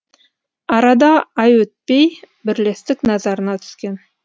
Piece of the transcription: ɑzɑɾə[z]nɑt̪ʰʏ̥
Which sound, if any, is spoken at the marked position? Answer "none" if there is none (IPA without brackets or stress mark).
none